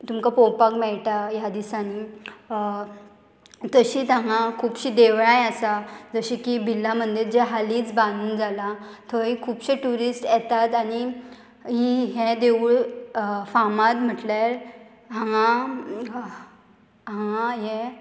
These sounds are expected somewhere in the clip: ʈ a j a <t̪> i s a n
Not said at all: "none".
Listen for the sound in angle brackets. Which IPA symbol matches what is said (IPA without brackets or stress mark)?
d̪